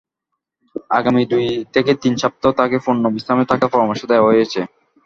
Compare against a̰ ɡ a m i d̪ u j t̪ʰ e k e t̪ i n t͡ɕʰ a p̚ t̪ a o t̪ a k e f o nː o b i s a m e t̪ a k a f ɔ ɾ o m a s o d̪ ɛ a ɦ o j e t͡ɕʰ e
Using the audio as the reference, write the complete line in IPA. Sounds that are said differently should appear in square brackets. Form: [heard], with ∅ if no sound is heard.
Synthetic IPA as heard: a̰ ɡ a m i d̪ u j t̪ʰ e k e t̪ i n t͡ɕʰ a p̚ t̪ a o t̪ a k e f o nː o b i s a m e t̪ a k a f ɔ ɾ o m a [ʃ] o d̪ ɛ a ɦ o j e t͡ɕʰ e